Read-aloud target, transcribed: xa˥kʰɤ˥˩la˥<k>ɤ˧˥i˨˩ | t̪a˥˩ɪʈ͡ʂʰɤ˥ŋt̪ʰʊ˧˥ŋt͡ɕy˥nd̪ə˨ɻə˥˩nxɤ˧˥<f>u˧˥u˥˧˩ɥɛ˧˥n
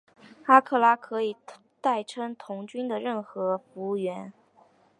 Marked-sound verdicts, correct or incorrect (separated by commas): incorrect, correct